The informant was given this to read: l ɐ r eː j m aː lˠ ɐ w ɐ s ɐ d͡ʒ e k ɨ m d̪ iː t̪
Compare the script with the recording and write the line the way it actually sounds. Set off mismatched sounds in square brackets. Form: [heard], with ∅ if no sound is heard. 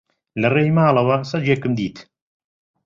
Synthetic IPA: l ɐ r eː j m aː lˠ ɐ w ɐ s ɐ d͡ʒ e k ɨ m d̪ iː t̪